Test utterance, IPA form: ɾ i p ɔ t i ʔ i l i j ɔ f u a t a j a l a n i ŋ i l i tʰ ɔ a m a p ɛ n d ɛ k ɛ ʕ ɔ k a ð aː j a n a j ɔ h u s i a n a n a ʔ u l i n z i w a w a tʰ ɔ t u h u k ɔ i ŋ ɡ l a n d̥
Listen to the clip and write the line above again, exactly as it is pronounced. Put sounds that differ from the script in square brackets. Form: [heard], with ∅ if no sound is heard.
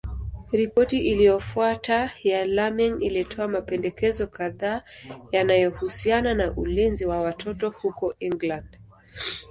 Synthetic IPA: ɾ i p ɔ t i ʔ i l i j ɔ f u a t a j a l a [m] i ŋ i l i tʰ ɔ a m a p ɛ n d ɛ k ɛ [z] ɔ k a ð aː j a n a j ɔ h u s i a n a n a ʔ u l i n z i w a w a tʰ ɔ t [ɔ] h u k ɔ i ŋ ɡ l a n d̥